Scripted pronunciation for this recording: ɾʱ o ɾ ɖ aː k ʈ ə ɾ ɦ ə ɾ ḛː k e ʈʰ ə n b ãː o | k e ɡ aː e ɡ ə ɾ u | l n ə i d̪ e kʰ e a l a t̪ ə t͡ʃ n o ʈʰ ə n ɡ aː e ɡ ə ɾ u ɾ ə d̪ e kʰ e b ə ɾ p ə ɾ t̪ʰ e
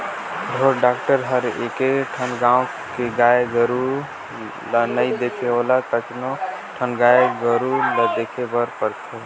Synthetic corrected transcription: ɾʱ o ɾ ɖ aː k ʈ ə ɾ ɦ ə ɾ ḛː k e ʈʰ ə n ɡ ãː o | k e ɡ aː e ɡ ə ɾ u | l n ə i d̪ e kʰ e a l a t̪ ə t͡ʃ n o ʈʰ ə n ɡ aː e ɡ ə ɾ u l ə d̪ e kʰ e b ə ɾ p ə ɾ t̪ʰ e